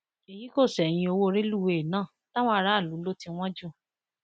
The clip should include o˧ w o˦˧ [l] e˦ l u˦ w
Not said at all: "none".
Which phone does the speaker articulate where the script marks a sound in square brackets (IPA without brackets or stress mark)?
ɾ